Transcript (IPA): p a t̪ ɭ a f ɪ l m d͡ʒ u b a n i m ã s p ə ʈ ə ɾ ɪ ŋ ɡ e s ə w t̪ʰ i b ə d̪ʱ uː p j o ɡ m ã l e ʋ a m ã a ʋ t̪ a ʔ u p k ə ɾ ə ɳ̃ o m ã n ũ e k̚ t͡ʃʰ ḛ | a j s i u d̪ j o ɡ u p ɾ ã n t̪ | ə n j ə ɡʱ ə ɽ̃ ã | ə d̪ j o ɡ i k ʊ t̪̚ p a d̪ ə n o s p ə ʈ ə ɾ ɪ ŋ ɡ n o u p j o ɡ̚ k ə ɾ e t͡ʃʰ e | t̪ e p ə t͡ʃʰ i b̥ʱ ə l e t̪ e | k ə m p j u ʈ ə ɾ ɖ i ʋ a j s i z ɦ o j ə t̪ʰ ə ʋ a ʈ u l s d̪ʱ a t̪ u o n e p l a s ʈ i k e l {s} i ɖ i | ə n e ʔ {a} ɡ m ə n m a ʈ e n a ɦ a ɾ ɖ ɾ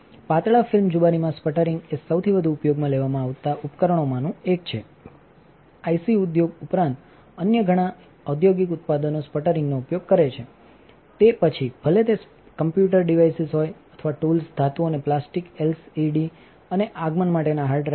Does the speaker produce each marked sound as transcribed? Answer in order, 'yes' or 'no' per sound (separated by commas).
yes, yes